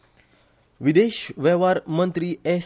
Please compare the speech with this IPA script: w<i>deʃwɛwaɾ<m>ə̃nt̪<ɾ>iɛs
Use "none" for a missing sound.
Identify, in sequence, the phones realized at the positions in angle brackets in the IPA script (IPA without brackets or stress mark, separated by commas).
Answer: i, m, ɾ